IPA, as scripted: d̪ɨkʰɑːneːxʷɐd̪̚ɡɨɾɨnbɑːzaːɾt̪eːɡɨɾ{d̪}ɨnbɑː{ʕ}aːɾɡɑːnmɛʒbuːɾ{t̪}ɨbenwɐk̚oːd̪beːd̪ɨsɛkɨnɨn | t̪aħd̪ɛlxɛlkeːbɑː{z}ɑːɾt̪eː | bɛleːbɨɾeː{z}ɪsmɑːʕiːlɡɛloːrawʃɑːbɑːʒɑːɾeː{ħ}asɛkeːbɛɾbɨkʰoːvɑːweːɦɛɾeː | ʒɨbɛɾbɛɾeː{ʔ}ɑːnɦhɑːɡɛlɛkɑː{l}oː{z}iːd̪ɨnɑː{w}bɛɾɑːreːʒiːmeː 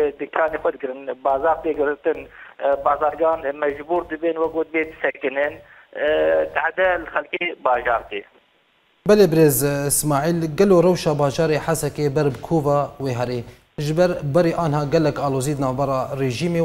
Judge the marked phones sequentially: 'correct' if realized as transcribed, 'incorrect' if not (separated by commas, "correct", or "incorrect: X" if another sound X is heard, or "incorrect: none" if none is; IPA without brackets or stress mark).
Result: incorrect: t̪, incorrect: z, incorrect: d̪, incorrect: ʒ, correct, correct, correct, correct, correct, incorrect: v